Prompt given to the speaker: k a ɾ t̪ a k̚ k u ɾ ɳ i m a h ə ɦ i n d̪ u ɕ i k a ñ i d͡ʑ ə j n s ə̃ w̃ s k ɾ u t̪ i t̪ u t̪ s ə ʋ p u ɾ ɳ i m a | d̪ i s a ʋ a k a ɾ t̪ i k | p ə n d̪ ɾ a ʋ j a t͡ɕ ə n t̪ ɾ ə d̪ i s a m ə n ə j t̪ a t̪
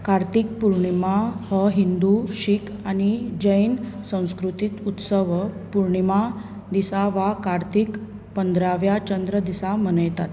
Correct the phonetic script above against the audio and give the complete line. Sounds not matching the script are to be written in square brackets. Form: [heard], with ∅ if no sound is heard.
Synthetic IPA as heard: k a ɾ t̪ [i] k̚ [p] u ɾ ɳ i m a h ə ɦ i n d̪ u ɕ i k a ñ i d͡ʑ ə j n s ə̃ w̃ s k ɾ u t̪ i t̪ u t̪ s ə ʋ p u ɾ ɳ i m a | d̪ i s a ʋ a k a ɾ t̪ i k | p ə n d̪ ɾ a ʋ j a t͡ɕ ə n [d̪] ɾ ə d̪ i s a m ə n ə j t̪ a t̪